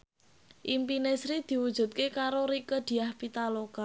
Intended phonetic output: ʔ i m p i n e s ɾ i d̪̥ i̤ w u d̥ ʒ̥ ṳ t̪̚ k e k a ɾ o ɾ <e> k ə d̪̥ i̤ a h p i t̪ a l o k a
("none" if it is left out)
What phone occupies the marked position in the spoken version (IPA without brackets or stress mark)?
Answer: i